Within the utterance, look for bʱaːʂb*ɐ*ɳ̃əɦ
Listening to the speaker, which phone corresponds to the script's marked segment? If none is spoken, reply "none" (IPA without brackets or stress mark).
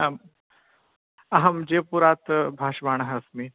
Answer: a